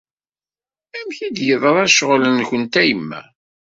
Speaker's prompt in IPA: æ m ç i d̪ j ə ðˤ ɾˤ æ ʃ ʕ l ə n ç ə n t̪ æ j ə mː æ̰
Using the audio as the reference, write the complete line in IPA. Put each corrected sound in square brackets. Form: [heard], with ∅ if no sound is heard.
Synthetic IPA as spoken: æ m ç i d̪ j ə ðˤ ɾˤ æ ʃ [ʁ] l ə n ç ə n t̪ æ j ə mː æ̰